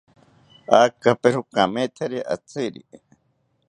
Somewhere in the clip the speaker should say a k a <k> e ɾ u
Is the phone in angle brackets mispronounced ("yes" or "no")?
yes